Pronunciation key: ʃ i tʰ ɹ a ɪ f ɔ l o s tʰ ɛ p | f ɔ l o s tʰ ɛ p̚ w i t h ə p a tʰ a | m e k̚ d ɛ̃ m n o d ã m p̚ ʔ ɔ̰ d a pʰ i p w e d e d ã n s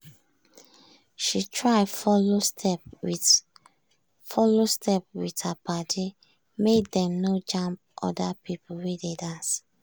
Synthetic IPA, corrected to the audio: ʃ i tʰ ɹ a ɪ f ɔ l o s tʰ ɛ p | f ɔ l o s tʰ ɛ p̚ w i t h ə p a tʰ i | m e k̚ d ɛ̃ m n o d͡ʒ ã m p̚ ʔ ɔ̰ d a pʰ i p w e d e d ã n s